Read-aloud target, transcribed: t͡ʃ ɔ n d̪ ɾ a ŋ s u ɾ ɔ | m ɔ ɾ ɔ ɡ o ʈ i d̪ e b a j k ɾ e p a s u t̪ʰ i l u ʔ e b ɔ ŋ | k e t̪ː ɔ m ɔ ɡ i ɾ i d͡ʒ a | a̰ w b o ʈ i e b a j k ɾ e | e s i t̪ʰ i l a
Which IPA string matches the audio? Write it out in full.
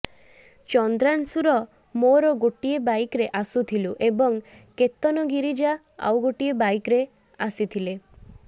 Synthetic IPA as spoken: t͡ʃ ɔ n d̪ ɾ a n s u ɾ ɔ | m o ɾ ɔ ɡ o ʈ i e b a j k ɾ e ʔ a s u t̪ʰ i l u ʔ e b ɔ ŋ | k e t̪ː ɔ n ɔ ɡ i ɾ i d͡ʒ a | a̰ w ɡ o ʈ i e b a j k ɾ e | a s i t̪ʰ i l e